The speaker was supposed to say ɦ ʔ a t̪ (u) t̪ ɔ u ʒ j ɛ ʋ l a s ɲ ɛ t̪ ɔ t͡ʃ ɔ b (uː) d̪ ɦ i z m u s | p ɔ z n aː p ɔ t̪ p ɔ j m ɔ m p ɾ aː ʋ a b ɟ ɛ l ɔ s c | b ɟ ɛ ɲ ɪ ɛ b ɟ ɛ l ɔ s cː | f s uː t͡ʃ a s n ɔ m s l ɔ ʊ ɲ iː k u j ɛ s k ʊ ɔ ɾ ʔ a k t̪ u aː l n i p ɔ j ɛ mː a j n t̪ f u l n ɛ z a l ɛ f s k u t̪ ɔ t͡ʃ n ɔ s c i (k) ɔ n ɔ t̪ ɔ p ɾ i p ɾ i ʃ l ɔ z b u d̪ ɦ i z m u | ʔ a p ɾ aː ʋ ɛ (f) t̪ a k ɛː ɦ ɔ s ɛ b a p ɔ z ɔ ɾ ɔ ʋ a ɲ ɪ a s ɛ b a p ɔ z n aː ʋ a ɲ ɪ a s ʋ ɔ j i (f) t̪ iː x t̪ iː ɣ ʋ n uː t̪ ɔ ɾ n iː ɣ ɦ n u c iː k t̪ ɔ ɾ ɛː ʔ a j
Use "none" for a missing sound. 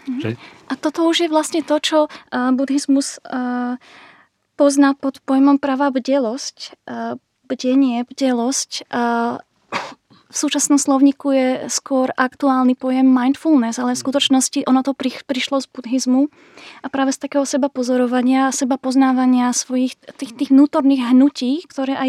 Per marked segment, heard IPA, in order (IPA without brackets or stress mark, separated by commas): ɔ, u, ʔ, s, x